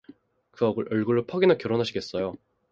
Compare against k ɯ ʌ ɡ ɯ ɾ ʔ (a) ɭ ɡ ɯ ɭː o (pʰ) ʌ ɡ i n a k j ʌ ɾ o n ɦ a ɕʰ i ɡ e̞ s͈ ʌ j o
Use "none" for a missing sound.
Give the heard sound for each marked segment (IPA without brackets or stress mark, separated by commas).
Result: ʌ, pʰ